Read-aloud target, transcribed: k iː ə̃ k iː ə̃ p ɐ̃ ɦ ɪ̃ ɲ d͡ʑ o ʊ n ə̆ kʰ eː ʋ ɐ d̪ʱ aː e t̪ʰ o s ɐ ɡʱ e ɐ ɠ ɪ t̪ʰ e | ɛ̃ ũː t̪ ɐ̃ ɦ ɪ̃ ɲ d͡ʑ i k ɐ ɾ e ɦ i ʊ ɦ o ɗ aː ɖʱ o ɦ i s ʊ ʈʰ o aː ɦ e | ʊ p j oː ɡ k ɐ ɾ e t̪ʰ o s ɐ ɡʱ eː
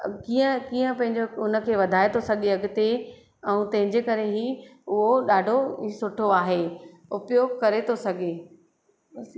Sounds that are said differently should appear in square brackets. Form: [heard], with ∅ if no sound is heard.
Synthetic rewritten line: k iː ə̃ k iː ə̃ p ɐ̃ ɦ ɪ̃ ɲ d͡ʑ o ʊ n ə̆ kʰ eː ʋ ɐ d̪ʱ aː e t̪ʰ o s ɐ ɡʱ e ɐ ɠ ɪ [t̪] e | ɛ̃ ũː t̪ ɐ̃ ɦ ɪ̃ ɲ d͡ʑ [e] k ɐ ɾ e ɦ i ʊ ɦ o ɗ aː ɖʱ o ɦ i s ʊ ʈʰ o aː ɦ e | ʊ p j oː ɡ k ɐ ɾ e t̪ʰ o s ɐ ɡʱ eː

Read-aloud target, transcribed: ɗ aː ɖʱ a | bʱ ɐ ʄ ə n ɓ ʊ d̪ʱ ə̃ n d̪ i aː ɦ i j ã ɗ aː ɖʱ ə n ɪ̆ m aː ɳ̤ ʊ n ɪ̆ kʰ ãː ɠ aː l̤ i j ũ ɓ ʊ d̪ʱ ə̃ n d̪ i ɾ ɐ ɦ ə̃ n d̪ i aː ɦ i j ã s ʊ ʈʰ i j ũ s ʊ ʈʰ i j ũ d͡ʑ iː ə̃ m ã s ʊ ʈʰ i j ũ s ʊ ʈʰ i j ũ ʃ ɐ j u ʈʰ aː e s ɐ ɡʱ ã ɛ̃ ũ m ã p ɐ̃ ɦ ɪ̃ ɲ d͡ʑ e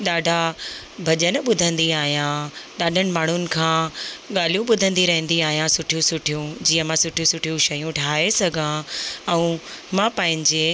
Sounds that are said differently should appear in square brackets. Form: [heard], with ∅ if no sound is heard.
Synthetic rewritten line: ɗ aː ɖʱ a | bʱ ɐ ʄ ə n ɓ ʊ d̪ʱ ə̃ n d̪ i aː ɦ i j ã ɗ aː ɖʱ ə n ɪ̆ m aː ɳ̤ ʊ n ɪ̆ kʰ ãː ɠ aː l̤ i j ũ ɓ ʊ d̪ʱ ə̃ n d̪ i ɾ ɐ ɦ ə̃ n d̪ i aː ɦ i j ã s ʊ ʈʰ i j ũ s ʊ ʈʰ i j ũ d͡ʑ iː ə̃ m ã s ʊ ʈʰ i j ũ s ʊ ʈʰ i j ũ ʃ ɐ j [ũ] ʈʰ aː e s ɐ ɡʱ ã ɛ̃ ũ m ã p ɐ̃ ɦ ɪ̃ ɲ d͡ʑ e

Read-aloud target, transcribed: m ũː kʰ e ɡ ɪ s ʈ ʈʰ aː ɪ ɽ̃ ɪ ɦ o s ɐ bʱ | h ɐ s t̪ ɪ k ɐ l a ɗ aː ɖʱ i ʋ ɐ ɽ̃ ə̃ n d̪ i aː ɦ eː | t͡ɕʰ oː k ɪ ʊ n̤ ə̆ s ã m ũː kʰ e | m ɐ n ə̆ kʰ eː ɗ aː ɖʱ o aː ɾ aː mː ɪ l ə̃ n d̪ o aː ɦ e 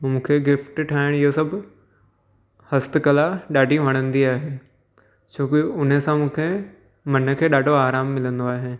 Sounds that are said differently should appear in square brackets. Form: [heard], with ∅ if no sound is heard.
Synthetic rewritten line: m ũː kʰ e ɡ ɪ [f] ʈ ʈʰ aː ɪ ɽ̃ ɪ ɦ o s ɐ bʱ | h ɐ s t̪ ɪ k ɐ l a ɗ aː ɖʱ i ʋ ɐ ɽ̃ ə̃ n d̪ i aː ɦ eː | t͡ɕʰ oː k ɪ ʊ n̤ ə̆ s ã m ũː kʰ e | m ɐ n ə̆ kʰ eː ɗ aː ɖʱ o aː ɾ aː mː ɪ l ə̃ n d̪ o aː ɦ e

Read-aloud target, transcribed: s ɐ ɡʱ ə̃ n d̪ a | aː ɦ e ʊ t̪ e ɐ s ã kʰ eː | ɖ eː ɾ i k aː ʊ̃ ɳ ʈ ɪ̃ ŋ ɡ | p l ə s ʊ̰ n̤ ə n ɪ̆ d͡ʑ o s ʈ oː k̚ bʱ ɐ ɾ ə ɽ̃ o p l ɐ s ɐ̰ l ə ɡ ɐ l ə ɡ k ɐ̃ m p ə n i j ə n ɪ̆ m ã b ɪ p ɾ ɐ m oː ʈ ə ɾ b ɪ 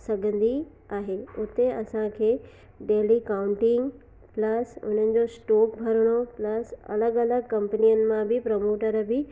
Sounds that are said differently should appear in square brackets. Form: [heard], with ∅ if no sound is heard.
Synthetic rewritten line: s ɐ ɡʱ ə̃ n d̪ [i] | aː ɦ e ʊ t̪ e ɐ s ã kʰ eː | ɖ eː [l] i k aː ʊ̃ ɳ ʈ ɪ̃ ŋ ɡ | p l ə s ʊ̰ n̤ ə n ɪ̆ d͡ʑ o s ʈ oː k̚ bʱ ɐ ɾ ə ɽ̃ o p l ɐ s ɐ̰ l ə ɡ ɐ l ə ɡ k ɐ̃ m p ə n i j ə n ɪ̆ m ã b ɪ p ɾ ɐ m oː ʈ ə ɾ b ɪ

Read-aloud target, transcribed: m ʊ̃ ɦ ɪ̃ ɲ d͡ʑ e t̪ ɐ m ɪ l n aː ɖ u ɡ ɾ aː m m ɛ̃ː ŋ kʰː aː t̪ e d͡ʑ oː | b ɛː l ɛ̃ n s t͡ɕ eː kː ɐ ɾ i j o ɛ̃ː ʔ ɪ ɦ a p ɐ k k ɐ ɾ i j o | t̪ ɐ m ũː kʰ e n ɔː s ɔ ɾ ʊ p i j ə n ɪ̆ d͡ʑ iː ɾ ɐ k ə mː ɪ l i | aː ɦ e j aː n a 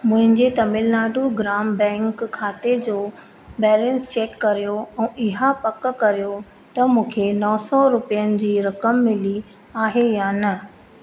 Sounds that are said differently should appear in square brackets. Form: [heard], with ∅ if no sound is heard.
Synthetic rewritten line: m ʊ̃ ɦ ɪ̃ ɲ d͡ʑ e t̪ ɐ m ɪ l n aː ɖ u ɡ ɾ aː m [b] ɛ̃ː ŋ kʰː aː t̪ e d͡ʑ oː | b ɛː l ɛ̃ n s t͡ɕ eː kː ɐ ɾ i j o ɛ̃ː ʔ ɪ ɦ a p ɐ k k ɐ ɾ i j o | t̪ ɐ m ũː kʰ e n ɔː s ɔ ɾ ʊ p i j ə n ɪ̆ d͡ʑ iː ɾ ɐ k ə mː ɪ l i | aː ɦ e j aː n [ɐ]

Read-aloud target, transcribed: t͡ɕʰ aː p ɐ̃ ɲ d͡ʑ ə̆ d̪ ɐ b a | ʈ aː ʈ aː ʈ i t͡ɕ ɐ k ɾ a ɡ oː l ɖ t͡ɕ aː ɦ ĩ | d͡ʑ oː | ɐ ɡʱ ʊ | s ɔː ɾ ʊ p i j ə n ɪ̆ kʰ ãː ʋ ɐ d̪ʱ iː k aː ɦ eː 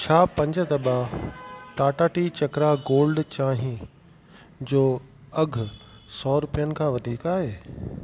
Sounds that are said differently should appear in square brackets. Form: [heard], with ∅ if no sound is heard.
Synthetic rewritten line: t͡ɕʰ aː p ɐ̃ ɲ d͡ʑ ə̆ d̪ ɐ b a | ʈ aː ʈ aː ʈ i t͡ɕ ɐ k ɾ a ɡ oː l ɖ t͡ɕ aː ɦ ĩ | d͡ʑ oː | ɐ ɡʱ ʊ | s ɔː ɾ ʊ p i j ə n ɪ̆ kʰ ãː ʋ ɐ d̪ʱ iː k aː ɦ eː

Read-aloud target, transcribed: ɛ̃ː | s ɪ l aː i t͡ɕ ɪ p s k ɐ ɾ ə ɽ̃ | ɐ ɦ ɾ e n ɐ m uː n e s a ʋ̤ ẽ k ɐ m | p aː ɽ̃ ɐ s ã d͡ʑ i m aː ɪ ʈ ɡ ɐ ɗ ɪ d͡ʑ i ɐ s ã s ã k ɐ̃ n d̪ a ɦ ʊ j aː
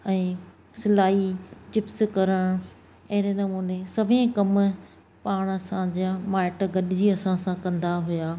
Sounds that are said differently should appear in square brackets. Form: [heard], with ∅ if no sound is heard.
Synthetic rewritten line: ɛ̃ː | s ɪ l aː i t͡ɕ ɪ p s k ɐ ɾ ə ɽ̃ | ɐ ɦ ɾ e n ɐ m uː n e s [ɐ] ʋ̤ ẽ k ɐ m | p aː ɽ̃ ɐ s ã d͡ʑ [a] m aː ɪ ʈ ɡ ɐ ɗ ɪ d͡ʑ i ɐ s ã s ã k ɐ̃ n d̪ a ɦ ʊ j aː

